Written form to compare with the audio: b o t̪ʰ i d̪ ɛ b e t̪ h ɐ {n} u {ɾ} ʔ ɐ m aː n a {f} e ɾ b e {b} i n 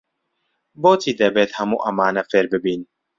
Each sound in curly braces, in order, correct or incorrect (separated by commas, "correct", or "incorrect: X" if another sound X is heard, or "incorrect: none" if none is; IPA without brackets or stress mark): incorrect: m, incorrect: none, correct, correct